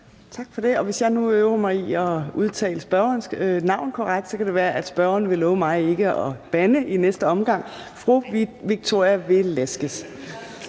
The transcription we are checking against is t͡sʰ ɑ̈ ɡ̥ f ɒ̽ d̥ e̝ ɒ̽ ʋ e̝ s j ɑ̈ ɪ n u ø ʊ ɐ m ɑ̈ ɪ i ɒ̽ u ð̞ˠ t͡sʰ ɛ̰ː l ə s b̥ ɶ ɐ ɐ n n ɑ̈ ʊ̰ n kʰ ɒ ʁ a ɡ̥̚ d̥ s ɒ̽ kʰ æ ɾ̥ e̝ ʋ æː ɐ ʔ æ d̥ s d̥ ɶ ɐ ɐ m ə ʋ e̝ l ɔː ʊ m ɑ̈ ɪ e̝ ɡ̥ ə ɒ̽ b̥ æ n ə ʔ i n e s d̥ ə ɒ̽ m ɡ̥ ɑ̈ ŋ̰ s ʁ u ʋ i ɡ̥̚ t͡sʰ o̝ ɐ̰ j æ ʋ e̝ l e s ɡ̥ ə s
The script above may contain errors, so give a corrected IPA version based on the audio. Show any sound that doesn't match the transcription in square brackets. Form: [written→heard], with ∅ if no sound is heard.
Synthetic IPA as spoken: t͡sʰ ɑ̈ ɡ̥ f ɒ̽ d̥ e̝ ɒ̽ ʋ e̝ s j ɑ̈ ɪ n u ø ʊ ɐ m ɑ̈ ɪ i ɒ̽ u ð̞ˠ t͡sʰ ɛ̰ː l ə s b̥ ɶ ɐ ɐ n n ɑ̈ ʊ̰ n kʰ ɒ ʁ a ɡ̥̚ d̥ s ɒ̽ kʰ æ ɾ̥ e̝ ʋ æː ɐ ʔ æ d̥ s [d̥→b̥] ɶ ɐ ɐ [m→n] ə ʋ e̝ l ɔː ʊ m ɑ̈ ɪ e̝ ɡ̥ ə ɒ̽ b̥ æ n ə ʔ i n e s d̥ ə ɒ̽ m ɡ̥ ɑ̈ ŋ̰ [s→f] ʁ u ʋ i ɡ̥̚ t͡sʰ o̝ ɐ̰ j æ ʋ e̝ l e s ɡ̥ ə s